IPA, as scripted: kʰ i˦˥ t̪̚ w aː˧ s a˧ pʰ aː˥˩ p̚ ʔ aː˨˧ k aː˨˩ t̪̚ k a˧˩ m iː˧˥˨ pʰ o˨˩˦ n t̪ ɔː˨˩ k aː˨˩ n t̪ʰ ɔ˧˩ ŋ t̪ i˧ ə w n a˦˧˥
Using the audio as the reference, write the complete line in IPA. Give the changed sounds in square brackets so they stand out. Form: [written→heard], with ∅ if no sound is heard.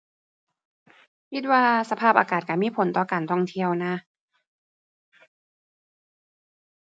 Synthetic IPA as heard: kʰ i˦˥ t̪̚ w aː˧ s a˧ pʰ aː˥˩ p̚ ʔ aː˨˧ k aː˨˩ t̪̚ k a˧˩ m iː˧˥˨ pʰ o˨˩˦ n t̪ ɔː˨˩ k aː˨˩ n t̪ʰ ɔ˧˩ ŋ [t̪→t̪ʰ] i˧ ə w n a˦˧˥